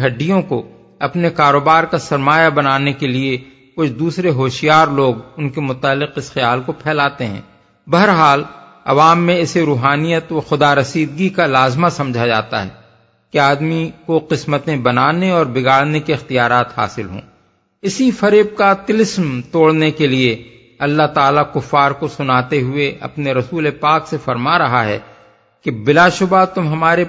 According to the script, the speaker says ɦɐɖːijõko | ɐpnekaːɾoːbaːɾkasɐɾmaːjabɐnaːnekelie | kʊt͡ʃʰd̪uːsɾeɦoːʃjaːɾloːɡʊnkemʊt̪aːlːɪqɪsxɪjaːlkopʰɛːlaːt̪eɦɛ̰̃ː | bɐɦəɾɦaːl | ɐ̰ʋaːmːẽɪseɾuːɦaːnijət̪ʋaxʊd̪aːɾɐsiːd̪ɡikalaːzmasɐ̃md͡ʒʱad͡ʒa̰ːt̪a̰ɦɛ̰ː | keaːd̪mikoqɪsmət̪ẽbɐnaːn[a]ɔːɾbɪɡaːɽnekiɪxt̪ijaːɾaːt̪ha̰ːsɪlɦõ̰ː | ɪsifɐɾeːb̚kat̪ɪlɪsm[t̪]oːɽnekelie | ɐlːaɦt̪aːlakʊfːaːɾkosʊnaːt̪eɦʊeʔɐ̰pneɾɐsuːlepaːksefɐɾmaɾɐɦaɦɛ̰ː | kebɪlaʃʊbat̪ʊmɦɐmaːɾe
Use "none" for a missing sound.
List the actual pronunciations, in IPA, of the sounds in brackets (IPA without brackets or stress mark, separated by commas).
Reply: e, t̪